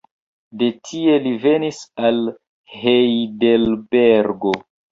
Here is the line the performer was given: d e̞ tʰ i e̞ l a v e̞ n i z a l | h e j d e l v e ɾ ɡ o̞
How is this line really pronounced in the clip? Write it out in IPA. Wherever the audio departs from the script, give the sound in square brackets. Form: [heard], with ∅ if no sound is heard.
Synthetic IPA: d e̞ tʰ i e̞ l [i] v e̞ n i [s] a l | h e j d e l [b] e ɾ ɡ o̞